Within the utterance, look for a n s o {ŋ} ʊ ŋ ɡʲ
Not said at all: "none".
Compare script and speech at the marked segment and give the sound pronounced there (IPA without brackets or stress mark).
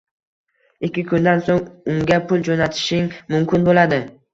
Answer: ŋ